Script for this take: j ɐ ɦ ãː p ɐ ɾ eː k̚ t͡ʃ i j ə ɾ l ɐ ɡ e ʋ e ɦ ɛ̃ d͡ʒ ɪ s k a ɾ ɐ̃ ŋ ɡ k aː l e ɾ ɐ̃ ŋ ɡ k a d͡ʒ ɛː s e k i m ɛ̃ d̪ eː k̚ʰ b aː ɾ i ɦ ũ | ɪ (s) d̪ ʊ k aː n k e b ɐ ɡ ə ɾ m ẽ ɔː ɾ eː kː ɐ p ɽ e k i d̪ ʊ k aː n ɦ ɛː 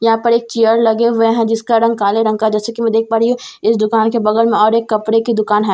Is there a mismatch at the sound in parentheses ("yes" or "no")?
no